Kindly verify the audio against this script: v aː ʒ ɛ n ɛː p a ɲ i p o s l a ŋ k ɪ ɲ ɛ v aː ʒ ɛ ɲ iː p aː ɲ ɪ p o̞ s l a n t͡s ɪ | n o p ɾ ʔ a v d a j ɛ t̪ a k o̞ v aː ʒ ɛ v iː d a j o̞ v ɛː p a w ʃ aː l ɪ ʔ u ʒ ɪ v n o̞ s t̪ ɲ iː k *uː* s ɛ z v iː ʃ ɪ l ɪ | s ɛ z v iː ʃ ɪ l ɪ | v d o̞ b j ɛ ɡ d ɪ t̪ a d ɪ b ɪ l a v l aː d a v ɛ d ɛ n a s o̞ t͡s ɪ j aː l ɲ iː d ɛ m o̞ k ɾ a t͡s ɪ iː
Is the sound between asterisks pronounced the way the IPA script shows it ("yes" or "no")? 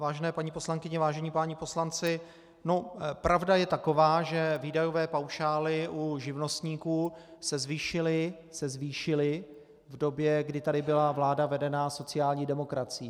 yes